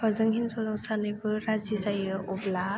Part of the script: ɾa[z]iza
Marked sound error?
no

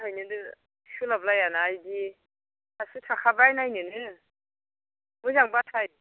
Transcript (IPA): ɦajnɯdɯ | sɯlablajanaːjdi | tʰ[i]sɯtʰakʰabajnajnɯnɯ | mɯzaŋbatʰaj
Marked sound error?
yes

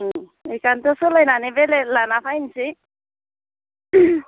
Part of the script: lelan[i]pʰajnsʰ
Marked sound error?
yes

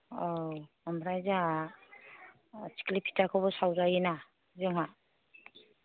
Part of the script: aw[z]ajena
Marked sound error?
no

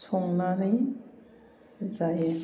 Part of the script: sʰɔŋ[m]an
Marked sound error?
yes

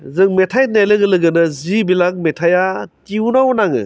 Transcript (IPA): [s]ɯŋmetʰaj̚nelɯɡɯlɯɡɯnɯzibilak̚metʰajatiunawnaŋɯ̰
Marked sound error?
yes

